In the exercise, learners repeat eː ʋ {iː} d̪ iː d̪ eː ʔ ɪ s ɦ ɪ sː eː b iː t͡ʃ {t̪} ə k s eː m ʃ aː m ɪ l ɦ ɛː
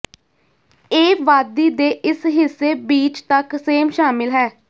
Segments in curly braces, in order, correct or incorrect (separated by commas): incorrect, correct